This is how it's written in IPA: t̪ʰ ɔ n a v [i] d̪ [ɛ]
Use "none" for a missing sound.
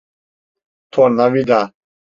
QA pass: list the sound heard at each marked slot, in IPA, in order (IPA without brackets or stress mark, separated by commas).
i, a